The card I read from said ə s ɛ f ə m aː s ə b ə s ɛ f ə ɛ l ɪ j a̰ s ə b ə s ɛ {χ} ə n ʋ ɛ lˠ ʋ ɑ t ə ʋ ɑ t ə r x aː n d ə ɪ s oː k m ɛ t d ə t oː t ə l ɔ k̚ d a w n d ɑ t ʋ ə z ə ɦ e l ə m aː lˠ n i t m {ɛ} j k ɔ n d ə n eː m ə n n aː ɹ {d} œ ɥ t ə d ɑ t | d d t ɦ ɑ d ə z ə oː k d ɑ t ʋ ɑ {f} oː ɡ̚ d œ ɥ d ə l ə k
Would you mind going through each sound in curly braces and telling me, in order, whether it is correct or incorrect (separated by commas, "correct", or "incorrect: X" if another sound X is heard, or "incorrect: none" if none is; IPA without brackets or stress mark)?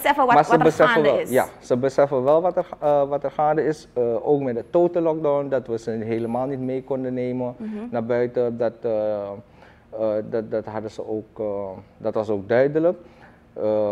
incorrect: f, incorrect: e, incorrect: b, incorrect: s